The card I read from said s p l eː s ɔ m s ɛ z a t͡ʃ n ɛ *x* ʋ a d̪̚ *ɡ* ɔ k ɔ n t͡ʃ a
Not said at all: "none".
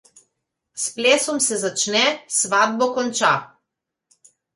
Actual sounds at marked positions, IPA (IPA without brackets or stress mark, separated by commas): s, b